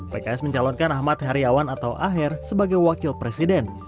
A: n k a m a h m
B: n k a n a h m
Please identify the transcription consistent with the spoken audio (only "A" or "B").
B